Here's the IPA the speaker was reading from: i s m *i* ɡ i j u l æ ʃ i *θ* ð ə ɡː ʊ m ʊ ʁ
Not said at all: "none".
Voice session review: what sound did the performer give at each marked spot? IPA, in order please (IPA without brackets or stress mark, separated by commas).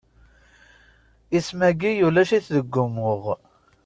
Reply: æ, θ